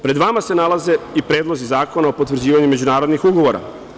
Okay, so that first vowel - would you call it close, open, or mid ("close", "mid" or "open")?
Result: mid